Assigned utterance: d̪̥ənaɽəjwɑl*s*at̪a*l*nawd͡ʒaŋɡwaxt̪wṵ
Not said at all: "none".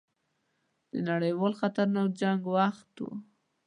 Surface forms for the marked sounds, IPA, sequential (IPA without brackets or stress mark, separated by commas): x, ɾ